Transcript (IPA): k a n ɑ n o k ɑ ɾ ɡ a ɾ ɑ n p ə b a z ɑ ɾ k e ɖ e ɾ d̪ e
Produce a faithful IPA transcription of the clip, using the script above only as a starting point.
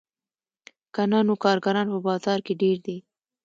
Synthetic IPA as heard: k a n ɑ n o k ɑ ɾ ɡ a ɾ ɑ n p ə b ɑ z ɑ ɾ k e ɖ e ɾ d̪ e